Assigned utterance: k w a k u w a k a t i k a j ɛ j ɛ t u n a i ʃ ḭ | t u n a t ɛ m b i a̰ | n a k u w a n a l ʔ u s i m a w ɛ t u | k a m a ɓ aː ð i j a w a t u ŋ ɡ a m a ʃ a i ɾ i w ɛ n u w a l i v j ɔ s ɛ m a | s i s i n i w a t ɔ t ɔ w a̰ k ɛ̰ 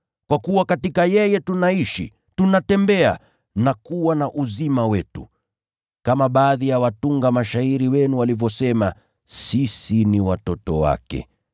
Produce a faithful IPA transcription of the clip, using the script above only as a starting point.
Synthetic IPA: k w a k u w a k a t i k a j ɛ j ɛ t u n a i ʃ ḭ | t u n a t ɛ m b ɛ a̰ | n a k u w a n a ʔ u z i m a w ɛ t u | k a m a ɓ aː ð i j a w a t u ŋ ɡ a m a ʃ a i ɾ i w ɛ n u w a l i v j ɔ s ɛ m a | s i s i n i w a t ɔ t ɔ w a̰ k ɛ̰